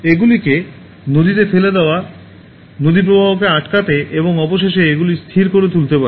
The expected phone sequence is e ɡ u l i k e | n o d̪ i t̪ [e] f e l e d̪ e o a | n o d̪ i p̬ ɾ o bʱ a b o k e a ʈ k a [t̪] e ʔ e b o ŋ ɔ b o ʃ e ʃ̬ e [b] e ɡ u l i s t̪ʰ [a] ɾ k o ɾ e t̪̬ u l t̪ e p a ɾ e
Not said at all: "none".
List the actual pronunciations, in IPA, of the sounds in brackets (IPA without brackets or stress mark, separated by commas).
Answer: e, t̪, none, i